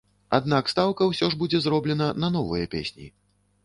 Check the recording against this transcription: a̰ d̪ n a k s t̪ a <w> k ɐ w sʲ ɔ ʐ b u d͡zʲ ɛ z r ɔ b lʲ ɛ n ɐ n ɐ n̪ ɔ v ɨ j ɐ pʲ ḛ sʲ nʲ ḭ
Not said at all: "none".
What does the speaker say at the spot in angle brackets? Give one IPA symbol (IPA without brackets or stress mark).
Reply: w